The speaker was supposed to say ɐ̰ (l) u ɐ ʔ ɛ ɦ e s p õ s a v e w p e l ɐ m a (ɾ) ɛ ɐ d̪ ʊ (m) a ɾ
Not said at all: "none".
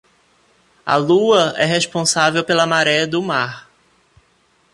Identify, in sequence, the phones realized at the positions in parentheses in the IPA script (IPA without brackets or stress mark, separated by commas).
l, ɾ, m